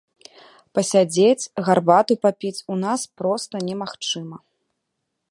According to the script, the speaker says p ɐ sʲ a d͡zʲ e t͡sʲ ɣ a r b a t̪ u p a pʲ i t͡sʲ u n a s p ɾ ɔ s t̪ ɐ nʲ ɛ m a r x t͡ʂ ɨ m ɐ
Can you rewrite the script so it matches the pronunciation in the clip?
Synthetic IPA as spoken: p ɐ sʲ a d͡zʲ e t͡sʲ ɣ a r b a t̪ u p a pʲ i t͡sʲ u n a s p ɾ ɔ s t̪ ɐ nʲ ɛ m a x t͡ʂ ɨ m ɐ

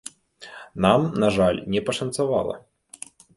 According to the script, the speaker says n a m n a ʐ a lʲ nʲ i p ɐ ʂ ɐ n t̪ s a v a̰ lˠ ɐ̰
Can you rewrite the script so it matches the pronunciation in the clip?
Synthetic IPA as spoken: n a m n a ʐ a lʲ nʲ ɛ p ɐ ʂ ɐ n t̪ s a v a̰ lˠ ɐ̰

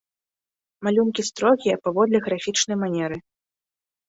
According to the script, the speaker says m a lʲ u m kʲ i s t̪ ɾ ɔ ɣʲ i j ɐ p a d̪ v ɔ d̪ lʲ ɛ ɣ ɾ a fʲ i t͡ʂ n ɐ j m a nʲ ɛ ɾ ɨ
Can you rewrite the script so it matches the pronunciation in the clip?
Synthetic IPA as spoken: m a lʲ u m kʲ i s t̪ ɾ ɔ ɣʲ i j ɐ p a v ɔ d̪ lʲ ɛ ɣ ɾ a fʲ i t͡ʂ n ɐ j m a nʲ ɛ ɾ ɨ

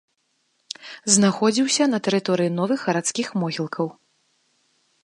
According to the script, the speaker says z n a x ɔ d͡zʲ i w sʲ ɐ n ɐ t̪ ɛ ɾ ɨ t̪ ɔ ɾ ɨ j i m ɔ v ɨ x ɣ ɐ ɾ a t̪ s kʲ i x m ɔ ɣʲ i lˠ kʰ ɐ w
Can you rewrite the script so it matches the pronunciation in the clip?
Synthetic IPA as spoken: z n a x ɔ d͡zʲ i w sʲ ɐ n ɐ t̪ ɛ ɾ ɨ t̪ ɔ ɾ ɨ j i n ɔ v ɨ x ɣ ɐ ɾ a t̪ s kʲ i x m ɔ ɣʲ i lˠ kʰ ɐ w

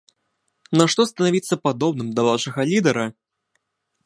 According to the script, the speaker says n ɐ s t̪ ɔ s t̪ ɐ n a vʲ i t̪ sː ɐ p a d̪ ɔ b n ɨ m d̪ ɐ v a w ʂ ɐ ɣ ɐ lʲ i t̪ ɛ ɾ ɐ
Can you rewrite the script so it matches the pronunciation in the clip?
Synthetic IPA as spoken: n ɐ ʂ t̪ ɔ s t̪ ɐ n a vʲ i t̪ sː ɐ p a d̪ ɔ b n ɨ m d̪ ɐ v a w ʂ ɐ ɣ ɐ lʲ i d̪ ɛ ɾ ɐ

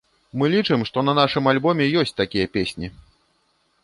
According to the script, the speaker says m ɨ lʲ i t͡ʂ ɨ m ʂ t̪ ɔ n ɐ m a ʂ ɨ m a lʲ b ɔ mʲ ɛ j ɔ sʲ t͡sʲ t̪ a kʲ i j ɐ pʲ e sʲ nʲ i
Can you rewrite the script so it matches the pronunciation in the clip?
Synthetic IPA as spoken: m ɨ lʲ i t͡ʂ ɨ m ʂ t̪ ɔ n ɐ n a ʂ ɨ m a lʲ b ɔ mʲ ɛ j ɔ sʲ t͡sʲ t̪ a kʲ i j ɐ pʲ e sʲ nʲ i

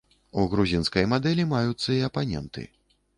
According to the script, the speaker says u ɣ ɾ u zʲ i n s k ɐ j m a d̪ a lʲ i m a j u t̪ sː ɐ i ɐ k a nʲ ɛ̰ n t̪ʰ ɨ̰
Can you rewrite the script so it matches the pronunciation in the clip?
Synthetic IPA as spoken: u ɣ ɾ u zʲ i n s k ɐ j m a d̪ ɛ lʲ i m a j u t̪ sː ɐ i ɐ p a nʲ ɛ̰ n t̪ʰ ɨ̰

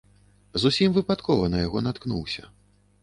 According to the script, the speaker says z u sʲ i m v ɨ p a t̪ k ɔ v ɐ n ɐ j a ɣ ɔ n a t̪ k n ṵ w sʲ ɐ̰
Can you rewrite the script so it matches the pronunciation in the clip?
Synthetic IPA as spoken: z u sʲ i m v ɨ p a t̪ k ɔ v ɐ n ɐ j a ɣ ɔ n a t̪ k n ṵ w sʲ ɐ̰

